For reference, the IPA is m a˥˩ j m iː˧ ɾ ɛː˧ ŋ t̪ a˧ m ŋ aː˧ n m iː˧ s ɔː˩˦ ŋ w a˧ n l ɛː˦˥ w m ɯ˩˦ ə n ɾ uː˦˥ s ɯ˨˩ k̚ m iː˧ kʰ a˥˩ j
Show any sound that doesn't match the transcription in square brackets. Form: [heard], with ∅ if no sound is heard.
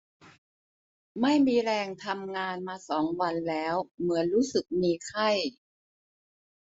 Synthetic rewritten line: m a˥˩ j m iː˧ ɾ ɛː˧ ŋ [t̪ʰ] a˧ m ŋ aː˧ n m [aː˧] s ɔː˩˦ ŋ w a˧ n l ɛː˦˥ w m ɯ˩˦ ə n ɾ uː˦˥ s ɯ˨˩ k̚ m iː˧ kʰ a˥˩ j